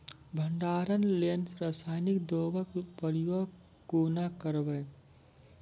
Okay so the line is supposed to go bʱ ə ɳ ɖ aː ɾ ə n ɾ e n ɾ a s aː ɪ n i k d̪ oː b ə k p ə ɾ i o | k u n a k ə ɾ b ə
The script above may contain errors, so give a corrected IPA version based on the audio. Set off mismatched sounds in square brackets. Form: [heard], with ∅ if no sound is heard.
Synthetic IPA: bʱ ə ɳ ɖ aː ɾ ə n [l] e n ɾ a s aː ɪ n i k d̪ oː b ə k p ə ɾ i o | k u n a k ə ɾ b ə